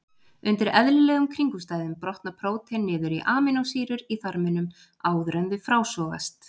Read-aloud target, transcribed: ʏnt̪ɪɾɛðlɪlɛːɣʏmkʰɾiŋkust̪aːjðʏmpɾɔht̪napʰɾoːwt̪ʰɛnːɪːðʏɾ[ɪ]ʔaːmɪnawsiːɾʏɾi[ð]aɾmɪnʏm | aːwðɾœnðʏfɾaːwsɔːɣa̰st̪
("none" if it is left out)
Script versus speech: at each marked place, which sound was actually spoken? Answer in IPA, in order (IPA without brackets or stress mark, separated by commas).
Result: i, θ